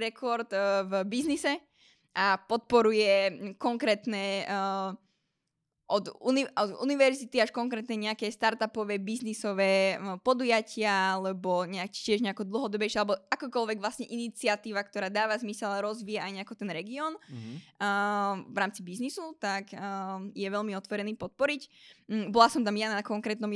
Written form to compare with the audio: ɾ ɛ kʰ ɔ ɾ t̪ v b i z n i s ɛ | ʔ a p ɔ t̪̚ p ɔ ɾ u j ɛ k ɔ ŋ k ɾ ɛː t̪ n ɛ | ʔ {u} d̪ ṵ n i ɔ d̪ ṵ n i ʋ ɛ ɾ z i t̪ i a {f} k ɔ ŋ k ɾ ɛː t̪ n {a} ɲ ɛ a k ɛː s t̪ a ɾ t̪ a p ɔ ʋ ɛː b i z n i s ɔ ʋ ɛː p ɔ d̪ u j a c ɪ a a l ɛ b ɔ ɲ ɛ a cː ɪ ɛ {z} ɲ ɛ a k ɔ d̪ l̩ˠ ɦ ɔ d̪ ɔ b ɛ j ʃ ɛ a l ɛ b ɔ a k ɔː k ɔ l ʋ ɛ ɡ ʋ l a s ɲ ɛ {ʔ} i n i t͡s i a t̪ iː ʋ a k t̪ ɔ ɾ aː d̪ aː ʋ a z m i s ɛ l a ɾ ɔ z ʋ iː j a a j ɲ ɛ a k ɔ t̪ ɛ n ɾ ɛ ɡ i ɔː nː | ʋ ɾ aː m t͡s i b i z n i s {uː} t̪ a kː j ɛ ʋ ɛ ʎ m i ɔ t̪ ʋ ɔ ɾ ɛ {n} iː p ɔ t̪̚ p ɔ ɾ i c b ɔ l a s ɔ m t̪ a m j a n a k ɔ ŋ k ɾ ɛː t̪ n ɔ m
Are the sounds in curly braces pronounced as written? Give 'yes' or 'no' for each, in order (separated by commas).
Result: no, no, no, no, yes, no, yes